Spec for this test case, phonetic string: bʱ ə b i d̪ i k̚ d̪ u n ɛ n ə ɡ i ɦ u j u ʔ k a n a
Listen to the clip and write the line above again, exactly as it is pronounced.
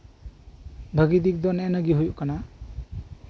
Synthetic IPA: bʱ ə ɡ i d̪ i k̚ d̪ ɔ n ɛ n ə ɡ i ɦ u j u ʔ k a n a

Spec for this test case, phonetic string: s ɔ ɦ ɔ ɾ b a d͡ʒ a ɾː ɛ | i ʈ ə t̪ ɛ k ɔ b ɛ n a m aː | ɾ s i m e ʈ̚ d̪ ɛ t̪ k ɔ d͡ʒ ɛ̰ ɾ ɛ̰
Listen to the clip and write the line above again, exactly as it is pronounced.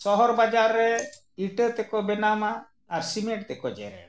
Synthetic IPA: s ɔ ɦ ɔ ɾ b a d͡ʒ a ɾː ɛ | i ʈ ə t̪ ɛ k ɔ b ɛ n a m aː | ɾ s i m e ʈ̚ t̪ ɛ k ɔ d͡ʒ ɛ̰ ɾ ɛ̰

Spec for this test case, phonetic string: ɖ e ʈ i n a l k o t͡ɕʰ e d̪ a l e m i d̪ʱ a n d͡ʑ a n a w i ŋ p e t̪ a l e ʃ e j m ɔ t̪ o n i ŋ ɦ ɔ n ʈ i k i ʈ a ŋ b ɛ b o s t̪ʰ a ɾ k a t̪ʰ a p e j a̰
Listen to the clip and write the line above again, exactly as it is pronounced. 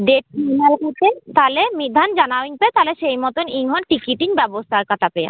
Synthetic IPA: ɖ e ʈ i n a l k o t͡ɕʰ e t̪ a l e m i d̪ʱ a n d͡ʑ a n a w i ŋ p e t̪ a l e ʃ e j m ɔ t̪ o n i ŋ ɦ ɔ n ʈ i k i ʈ i ŋ b ɛ b o s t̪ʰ a ɾ k a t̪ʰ a p e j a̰

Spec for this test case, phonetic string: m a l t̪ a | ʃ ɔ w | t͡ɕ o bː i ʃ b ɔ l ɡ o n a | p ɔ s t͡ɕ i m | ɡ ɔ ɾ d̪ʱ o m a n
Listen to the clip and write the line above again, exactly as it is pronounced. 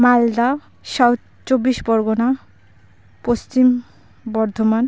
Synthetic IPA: m a l d̪ a | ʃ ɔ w | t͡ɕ o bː i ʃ b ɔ ɾ ɡ o n a | p o s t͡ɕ i m | b ɔ ɾ d̪ʱ o m a n

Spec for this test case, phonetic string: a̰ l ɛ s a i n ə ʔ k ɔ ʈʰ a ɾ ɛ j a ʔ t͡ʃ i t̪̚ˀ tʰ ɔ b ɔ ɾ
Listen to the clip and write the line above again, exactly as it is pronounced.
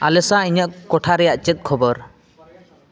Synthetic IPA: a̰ l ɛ s a i ɲ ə ʔ k ɔ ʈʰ a ɾ ɛ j a ʔ t͡ʃ ɛ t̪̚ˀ kʰ ɔ b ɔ ɾ

